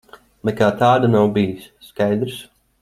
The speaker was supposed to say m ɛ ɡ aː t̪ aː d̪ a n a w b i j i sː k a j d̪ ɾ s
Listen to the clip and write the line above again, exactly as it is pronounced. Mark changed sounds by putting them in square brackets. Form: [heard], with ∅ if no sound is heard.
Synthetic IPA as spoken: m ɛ [k] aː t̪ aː d̪ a n a w b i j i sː k a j d̪ ɾ s